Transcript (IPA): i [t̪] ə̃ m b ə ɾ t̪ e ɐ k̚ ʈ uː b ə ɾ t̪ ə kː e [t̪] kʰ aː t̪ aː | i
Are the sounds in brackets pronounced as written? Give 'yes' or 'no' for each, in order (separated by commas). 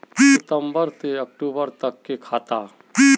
yes, no